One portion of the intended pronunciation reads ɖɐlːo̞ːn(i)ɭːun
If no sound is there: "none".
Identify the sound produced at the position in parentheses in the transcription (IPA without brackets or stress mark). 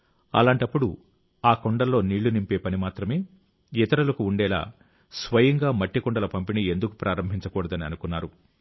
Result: iː